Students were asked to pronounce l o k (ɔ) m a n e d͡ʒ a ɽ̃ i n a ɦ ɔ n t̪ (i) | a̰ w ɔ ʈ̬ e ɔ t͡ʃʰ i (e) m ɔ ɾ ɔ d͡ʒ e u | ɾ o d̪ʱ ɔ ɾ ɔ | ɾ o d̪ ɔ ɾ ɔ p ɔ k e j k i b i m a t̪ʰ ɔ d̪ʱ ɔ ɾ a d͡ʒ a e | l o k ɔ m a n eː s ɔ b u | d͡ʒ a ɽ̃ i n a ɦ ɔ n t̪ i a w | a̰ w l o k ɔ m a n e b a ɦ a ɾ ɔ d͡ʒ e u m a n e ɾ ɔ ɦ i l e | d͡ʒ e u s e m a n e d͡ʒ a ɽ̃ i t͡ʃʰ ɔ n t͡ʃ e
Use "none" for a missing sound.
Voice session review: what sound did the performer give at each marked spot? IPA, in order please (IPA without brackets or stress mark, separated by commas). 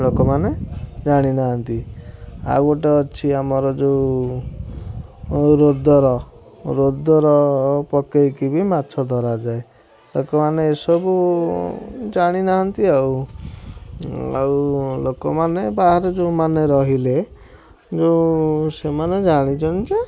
ɔ, i, a